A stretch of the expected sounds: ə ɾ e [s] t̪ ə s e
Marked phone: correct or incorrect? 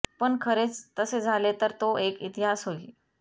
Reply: incorrect